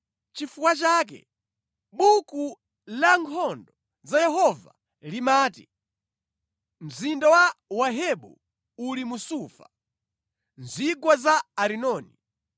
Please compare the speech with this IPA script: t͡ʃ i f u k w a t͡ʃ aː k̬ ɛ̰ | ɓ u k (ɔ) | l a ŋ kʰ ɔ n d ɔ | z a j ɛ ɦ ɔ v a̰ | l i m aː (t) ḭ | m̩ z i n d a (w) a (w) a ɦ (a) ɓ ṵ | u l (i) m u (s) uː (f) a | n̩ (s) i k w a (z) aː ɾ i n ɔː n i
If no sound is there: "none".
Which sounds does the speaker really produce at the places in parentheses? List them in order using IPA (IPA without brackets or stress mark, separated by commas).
u, t, w, w, ɛ, i, s, f, z, z